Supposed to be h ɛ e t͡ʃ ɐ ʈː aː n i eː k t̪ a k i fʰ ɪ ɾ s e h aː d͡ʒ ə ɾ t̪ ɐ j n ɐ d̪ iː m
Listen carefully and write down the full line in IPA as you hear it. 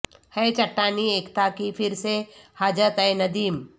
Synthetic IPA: h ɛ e t͡ʃ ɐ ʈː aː n i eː k t̪ a k i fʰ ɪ ɾ s e h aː d͡ʒ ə t̪ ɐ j n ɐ d̪ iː m